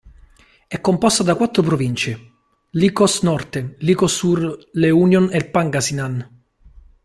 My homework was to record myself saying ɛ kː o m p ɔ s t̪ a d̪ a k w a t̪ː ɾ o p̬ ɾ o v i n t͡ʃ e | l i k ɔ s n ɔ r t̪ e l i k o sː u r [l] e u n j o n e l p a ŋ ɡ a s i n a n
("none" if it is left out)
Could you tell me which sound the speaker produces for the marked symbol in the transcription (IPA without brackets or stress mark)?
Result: l